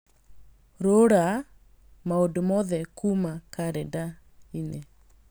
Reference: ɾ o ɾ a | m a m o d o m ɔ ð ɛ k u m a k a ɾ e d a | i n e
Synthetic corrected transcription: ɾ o ɾ a | m a o d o m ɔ ð ɛ k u m a k a ɾ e d a | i n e